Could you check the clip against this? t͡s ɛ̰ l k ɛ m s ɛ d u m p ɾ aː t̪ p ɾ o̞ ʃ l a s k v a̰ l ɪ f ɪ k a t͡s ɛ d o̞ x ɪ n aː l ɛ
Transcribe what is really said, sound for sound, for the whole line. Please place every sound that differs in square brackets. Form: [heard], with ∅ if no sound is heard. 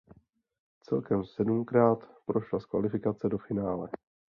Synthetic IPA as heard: t͡s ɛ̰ l k ɛ m s ɛ d u m [k] ɾ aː t̪ p ɾ o̞ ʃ l a s k v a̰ l ɪ f ɪ k a t͡s ɛ d o̞ [f] ɪ n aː l ɛ